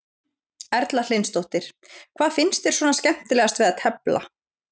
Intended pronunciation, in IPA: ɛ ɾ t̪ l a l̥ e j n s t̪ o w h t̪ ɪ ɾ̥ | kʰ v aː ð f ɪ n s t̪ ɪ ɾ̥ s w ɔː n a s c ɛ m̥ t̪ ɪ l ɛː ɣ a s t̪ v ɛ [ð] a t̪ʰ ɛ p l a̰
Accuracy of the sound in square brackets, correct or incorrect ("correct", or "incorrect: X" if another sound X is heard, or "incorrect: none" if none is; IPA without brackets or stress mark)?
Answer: correct